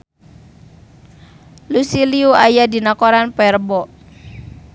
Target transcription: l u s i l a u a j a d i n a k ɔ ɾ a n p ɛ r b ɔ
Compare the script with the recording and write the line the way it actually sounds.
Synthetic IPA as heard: l u s i l i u a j a d i n a k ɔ ɾ a n p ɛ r b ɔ